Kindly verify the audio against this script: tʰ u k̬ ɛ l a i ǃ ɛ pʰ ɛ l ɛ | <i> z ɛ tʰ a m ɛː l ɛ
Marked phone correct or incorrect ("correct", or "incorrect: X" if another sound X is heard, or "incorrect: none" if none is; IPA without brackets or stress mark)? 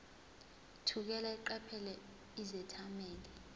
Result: correct